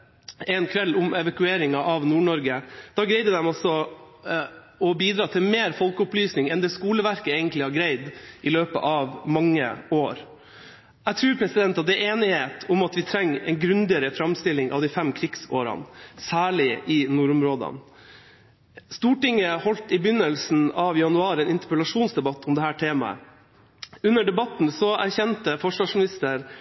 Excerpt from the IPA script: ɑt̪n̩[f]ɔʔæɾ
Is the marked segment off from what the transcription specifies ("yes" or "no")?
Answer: yes